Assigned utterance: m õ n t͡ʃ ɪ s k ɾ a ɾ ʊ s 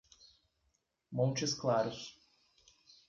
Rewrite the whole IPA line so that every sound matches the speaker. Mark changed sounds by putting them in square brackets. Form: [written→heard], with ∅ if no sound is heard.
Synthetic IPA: m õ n t͡ʃ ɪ s k [ɾ→l] a ɾ ʊ s